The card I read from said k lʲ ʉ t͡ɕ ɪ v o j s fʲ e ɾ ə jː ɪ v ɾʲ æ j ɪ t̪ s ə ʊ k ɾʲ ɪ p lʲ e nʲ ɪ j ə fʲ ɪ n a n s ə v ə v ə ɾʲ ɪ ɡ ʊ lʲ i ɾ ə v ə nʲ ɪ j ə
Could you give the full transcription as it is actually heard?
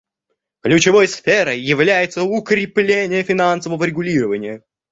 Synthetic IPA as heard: k lʲ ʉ t͡ɕ ɪ v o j s fʲ e ɾ ə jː ɪ v lʲ æ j ɪ t̪ s ə ʊ k ɾʲ ɪ p lʲ e nʲ ɪ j ə fʲ ɪ n a n s ə v ə v ə ɾʲ ɪ ɡ ʊ lʲ i ɾ ə v ə nʲ ɪ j ə